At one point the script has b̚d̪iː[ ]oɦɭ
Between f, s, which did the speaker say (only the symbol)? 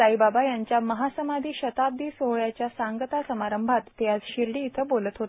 s